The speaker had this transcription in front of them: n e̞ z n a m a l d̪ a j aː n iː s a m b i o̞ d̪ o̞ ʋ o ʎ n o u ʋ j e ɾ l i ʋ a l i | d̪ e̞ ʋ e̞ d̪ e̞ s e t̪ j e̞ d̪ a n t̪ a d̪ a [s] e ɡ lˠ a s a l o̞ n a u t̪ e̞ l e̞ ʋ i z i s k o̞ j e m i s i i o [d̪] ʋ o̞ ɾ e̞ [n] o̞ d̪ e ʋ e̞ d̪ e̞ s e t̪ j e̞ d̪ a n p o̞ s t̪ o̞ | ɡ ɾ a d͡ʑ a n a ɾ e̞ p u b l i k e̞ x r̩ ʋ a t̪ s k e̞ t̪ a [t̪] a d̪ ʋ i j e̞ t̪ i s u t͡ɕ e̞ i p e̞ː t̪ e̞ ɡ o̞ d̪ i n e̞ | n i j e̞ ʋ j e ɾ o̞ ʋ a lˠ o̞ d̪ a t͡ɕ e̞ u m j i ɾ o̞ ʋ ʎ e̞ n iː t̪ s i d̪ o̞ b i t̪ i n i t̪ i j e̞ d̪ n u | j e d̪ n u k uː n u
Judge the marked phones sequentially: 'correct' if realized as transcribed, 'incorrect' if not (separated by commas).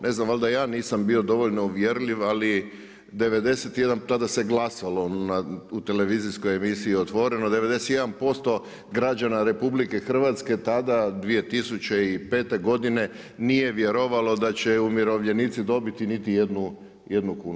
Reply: correct, incorrect, correct, incorrect